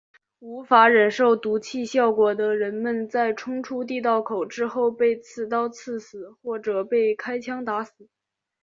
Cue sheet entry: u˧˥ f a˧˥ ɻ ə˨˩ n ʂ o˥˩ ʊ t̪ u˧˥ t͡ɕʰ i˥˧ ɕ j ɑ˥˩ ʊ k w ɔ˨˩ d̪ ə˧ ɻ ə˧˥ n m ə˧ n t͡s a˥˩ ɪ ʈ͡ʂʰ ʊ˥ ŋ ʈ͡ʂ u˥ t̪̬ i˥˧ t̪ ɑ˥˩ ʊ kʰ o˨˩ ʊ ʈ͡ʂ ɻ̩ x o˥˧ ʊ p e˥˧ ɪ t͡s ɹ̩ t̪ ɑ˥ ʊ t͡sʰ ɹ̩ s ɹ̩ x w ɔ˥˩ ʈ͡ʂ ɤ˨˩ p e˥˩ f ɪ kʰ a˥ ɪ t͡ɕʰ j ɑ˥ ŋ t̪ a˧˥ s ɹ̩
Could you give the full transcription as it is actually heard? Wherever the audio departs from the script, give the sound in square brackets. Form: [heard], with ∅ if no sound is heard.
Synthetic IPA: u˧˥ f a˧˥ ɻ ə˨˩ n ʂ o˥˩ ʊ t̪ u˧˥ t͡ɕʰ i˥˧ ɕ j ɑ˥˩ ʊ k w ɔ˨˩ d̪ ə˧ ɻ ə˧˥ n m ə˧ n t͡s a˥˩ ɪ ʈ͡ʂʰ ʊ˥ ŋ [ʈ͡ʂʰ] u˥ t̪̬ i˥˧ t̪ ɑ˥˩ ʊ kʰ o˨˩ ʊ ʈ͡ʂ ɻ̩ x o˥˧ ʊ p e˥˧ ɪ [t͡sʰ] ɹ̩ t̪ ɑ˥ ʊ t͡sʰ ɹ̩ s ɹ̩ x w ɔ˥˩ ʈ͡ʂ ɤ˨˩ p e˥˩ [∅] ɪ kʰ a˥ ɪ t͡ɕʰ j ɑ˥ ŋ t̪ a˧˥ s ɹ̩